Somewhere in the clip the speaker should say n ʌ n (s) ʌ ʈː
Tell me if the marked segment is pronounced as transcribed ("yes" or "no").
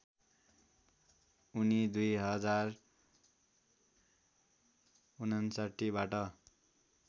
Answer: yes